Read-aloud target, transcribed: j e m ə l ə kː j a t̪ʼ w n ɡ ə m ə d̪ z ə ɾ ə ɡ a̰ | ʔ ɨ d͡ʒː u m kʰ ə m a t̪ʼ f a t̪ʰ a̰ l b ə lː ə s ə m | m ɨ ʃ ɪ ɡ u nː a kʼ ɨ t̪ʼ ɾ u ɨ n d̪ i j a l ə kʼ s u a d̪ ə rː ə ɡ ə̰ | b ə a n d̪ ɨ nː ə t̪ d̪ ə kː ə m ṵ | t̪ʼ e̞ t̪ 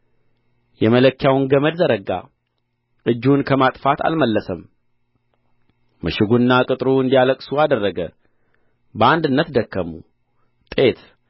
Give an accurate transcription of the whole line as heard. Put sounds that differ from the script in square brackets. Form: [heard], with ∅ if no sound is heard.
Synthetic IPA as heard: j [ɛ] m ə l ə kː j a [∅] w n ɡ ə m ə d̪ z ə ɾ ə ɡ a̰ | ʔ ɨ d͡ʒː u [n] kʰ ə m a t̪ʼ f a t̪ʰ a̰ l [m] ə lː ə s ə m | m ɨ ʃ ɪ ɡ u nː a kʼ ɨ t̪ʼ ɾ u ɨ n d̪ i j a l ə kʼ s u a d̪ ə rː ə ɡ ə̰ | b ə a n d̪ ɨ nː ə t̪ d̪ ə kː ə m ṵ | t̪ʼ e̞ t̪